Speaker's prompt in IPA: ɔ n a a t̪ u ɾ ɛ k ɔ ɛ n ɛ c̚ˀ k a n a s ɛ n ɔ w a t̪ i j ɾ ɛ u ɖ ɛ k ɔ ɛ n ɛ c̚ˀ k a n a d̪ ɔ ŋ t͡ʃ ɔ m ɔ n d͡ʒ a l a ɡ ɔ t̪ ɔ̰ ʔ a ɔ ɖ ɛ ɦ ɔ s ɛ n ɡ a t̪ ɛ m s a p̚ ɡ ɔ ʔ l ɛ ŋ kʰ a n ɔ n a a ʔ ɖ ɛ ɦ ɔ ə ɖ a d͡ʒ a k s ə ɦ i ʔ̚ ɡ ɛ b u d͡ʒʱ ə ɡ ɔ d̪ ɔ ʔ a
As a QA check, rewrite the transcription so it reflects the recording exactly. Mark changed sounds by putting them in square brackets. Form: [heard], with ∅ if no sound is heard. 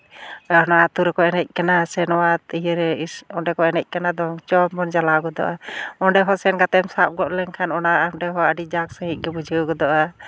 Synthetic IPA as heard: ɔ n a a t̪ u ɾ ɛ k ɔ ɛ n ɛ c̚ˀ k a n a s ɛ n ɔ w a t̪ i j ɾ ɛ [ɔ] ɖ ɛ k ɔ ɛ n ɛ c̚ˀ k a n a d̪ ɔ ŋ t͡ʃ ɔ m ɔ n d͡ʒ a l a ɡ ɔ [d̪] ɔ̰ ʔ a ɔ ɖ ɛ ɦ ɔ s ɛ n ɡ a t̪ ɛ m s a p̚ ɡ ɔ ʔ l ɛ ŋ kʰ a n ɔ n a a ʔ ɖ ɛ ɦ ɔ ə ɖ [i] d͡ʒ a k s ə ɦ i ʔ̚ ɡ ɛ b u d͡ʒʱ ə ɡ ɔ d̪ ɔ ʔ a